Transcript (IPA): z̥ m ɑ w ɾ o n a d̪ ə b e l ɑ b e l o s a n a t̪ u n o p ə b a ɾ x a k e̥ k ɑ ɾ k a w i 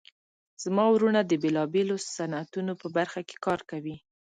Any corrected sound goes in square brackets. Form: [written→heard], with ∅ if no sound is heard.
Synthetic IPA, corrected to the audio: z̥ m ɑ w ɾ [o→u] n a d̪ ə b e l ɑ b e l o s a n a t̪ u n o p ə b a ɾ x a k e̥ k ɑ ɾ k a w i